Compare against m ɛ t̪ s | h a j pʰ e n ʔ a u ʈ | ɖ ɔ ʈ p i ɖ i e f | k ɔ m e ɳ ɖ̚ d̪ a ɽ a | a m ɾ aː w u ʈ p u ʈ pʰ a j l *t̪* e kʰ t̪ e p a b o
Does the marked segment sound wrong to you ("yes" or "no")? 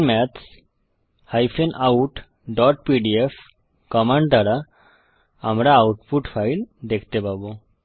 yes